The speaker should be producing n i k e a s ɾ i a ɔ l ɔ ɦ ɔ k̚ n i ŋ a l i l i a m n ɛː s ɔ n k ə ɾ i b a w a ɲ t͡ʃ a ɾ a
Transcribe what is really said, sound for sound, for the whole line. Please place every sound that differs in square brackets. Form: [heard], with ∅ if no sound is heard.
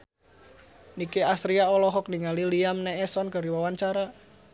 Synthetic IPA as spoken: n i k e a s ɾ i a ɔ l ɔ ɦ ɔ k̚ n i ŋ a l i l i a m n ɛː s ɔ n k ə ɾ i [w] a w a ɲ t͡ʃ a ɾ a